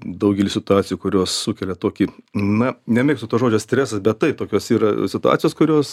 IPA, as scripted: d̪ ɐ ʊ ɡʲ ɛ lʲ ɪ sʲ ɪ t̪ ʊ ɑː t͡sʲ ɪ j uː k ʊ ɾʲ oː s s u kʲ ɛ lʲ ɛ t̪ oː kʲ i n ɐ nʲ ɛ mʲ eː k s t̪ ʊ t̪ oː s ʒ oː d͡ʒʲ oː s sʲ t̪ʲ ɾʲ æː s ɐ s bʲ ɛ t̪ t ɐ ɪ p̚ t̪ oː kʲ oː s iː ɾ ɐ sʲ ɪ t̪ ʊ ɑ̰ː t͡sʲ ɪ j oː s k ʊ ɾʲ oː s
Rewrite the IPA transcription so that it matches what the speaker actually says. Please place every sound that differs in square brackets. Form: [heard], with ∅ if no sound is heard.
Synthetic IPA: d̪ ɐ ʊ ɡʲ ɛ lʲ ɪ sʲ ɪ t̪ ʊ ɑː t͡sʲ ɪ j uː k ʊ ɾʲ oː s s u kʲ ɛ lʲ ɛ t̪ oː kʲ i n ɐ nʲ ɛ mʲ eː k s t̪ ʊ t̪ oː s ʒ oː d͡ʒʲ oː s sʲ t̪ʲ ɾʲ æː s ɐ s bʲ ɛ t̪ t ɐ ɪ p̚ t̪ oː kʲ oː s iː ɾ ɐ sʲ ɪ t̪ ʊ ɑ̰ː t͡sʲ ɪ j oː s k ʊ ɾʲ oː s